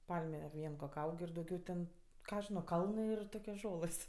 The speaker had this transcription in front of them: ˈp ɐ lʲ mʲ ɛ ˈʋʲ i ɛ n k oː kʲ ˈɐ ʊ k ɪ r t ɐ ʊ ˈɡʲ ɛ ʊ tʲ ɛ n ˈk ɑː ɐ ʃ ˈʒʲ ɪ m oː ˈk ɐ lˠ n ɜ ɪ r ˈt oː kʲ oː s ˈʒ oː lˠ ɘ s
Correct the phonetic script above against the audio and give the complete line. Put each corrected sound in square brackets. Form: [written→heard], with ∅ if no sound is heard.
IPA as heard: ˈp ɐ lʲ mʲ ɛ ˈʋʲ i ɛ n k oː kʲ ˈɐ ʊ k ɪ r [t→d] ɐ ʊ ˈɡʲ ɛ ʊ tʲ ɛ n ˈk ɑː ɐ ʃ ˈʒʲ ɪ [m→n] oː ˈk ɐ lˠ n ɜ ɪ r ˈt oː kʲ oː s ˈʒ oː lˠ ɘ s